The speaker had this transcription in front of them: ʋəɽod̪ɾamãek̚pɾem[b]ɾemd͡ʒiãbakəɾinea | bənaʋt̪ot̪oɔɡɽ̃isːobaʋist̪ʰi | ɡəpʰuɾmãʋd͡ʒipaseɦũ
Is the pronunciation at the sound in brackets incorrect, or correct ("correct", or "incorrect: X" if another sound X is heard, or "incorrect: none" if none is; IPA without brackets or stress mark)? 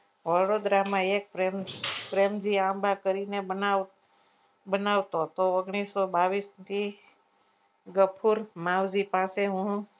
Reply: incorrect: p